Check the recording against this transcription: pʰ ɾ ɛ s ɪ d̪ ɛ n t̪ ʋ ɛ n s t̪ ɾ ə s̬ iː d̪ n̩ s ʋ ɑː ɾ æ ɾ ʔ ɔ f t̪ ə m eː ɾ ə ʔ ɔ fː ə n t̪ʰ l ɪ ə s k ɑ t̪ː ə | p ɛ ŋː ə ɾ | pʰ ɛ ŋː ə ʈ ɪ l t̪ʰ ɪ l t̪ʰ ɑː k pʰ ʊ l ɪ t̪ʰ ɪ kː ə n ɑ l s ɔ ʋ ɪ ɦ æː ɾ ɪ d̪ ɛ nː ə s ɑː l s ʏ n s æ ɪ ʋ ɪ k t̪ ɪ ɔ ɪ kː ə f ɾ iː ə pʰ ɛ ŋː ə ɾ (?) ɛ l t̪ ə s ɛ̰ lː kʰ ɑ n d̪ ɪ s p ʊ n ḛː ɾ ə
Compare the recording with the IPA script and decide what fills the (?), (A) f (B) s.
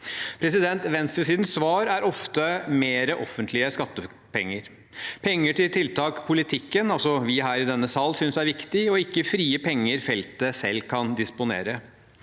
A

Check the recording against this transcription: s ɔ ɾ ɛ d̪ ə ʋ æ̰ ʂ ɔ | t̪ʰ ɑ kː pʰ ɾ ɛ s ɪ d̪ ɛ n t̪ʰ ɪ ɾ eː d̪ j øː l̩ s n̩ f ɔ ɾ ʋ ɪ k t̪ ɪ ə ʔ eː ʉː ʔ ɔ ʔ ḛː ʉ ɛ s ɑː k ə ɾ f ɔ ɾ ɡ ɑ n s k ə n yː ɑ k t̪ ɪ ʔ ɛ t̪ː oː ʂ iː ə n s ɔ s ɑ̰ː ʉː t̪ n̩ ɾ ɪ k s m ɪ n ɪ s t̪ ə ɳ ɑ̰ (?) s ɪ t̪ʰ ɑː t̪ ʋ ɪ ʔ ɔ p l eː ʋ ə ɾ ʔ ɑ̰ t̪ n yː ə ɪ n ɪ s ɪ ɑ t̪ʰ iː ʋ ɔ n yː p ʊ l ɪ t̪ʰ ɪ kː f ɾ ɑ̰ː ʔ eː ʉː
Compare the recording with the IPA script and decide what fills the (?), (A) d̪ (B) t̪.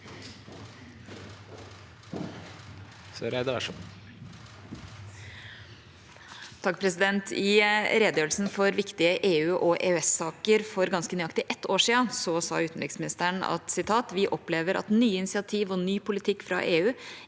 B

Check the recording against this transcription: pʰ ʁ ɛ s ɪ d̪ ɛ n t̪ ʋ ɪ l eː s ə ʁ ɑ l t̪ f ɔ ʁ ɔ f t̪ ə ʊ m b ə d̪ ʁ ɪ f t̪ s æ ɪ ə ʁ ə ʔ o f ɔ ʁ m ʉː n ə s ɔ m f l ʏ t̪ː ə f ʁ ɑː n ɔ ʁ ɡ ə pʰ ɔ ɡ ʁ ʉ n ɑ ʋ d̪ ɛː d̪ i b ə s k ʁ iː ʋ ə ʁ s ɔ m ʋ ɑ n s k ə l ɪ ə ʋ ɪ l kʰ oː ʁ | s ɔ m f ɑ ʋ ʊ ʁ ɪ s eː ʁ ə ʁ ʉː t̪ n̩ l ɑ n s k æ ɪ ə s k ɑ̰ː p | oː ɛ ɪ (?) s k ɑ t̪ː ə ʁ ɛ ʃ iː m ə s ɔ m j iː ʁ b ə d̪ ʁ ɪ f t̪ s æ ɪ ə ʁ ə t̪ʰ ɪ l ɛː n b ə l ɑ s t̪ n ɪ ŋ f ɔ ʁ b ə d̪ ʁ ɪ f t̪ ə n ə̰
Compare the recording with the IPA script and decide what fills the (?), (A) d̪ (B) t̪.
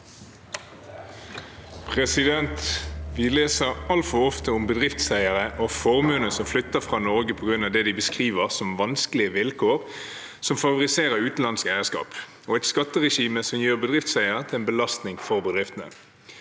B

